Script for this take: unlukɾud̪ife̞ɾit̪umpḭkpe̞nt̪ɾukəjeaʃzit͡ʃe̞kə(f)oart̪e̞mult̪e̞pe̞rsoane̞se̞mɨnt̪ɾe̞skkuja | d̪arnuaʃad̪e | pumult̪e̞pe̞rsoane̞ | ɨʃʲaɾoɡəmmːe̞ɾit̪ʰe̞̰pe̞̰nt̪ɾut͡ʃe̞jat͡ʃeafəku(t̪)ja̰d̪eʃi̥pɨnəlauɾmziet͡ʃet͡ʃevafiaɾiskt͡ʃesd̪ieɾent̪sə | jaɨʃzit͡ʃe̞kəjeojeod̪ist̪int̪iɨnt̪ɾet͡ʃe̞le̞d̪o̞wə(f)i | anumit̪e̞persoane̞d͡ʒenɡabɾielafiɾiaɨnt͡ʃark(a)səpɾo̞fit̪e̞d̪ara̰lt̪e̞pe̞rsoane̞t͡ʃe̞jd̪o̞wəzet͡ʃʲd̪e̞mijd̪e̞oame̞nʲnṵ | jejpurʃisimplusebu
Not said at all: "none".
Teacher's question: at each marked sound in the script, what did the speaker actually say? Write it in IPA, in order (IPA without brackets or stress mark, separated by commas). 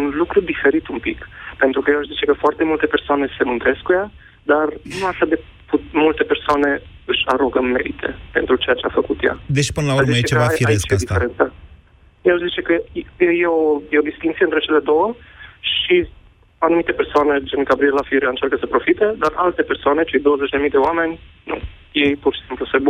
f, t̪, ʃ, ə